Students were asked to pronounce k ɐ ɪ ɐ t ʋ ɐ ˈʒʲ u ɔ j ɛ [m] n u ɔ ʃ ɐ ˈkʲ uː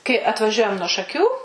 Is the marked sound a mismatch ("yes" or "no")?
no